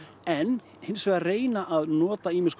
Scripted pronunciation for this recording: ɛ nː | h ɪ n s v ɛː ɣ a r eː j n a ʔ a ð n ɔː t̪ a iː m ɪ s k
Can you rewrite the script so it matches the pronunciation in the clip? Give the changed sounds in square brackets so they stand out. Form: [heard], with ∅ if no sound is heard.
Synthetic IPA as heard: ɛ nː | h ɪ n s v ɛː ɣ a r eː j n a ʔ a ð n ɔː t̪ a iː m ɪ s k